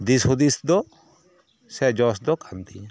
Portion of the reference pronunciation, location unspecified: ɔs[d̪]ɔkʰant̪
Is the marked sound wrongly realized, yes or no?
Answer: no